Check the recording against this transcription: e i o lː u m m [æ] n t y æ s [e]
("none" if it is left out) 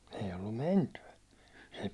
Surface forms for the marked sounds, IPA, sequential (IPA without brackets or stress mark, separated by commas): e, e